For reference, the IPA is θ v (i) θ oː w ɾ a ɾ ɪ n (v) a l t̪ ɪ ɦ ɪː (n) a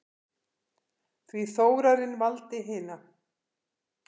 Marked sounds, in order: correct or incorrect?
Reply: correct, correct, correct

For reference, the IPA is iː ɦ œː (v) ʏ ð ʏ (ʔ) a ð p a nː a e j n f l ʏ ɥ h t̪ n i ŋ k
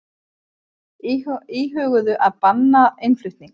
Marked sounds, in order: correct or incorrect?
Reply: incorrect, correct

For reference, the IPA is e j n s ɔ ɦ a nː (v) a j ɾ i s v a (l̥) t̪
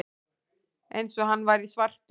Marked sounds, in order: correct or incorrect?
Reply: correct, incorrect

